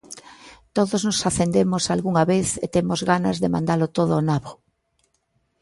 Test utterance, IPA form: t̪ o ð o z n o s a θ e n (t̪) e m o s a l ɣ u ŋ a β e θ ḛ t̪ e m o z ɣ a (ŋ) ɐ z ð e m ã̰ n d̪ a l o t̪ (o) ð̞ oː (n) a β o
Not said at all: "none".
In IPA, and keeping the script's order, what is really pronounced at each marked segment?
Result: d̪, n, o, n

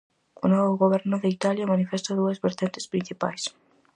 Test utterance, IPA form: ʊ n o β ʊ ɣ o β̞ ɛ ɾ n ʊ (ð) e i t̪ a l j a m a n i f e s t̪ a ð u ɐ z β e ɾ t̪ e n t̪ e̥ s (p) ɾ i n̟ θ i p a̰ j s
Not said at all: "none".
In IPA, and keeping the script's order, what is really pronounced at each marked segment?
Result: ð, p

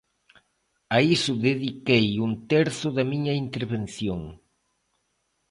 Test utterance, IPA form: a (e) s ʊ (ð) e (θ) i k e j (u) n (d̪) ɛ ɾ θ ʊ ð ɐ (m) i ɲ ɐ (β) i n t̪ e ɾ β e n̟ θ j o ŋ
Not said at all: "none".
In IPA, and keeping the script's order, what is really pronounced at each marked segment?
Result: i, ð, ð, u, t̪, m, none

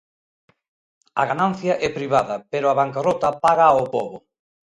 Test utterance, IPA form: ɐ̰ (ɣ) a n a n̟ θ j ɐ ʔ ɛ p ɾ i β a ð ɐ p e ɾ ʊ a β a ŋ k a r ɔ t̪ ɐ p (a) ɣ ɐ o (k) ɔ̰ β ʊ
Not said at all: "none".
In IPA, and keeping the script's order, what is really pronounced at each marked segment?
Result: ɣ, a, p

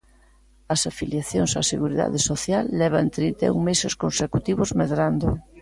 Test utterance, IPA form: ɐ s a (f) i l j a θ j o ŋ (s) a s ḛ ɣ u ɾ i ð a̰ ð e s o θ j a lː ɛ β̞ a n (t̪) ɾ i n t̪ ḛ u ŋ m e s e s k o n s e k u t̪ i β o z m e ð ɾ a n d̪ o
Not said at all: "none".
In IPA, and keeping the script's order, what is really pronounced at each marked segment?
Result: f, s, t̪

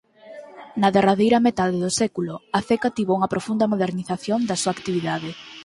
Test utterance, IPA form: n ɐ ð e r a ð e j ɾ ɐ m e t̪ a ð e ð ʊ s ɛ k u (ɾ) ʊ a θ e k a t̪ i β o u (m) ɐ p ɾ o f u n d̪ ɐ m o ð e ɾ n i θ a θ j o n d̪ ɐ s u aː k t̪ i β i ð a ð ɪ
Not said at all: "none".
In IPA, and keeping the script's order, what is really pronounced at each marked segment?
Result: l, ŋ

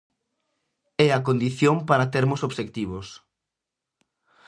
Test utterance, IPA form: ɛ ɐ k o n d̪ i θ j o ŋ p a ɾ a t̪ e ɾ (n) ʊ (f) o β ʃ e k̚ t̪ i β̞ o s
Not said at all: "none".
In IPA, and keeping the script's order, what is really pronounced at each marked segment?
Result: m, s

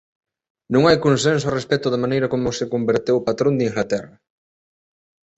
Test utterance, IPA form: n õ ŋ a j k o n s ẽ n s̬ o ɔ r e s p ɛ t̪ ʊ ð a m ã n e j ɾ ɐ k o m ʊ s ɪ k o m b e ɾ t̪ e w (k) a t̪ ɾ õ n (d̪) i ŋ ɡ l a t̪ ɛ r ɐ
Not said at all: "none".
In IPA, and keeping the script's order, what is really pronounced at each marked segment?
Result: p, d̪

